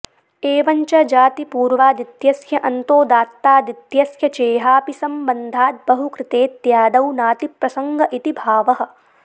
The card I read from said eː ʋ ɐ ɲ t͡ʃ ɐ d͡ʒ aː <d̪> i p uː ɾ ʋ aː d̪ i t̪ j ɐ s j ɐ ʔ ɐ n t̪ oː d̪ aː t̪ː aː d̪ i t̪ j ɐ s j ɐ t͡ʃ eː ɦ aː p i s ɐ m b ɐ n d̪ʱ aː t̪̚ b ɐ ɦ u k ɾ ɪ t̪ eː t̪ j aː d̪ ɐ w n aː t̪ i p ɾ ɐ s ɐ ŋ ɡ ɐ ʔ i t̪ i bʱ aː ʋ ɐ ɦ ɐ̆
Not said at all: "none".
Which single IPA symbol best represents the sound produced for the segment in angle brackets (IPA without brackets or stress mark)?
t̪